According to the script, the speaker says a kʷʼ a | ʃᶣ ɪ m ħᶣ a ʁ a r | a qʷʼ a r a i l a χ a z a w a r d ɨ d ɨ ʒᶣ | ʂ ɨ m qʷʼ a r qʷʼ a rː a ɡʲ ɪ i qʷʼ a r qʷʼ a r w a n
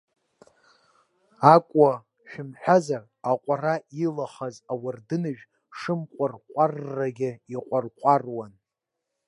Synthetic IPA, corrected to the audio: a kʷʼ a | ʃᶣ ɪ m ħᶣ a z a r | a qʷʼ a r a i l a χ a z a w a r d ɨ n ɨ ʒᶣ | ʂ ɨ m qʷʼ a r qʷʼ a rː a ɡʲ ɪ i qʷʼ a r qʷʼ a r w a n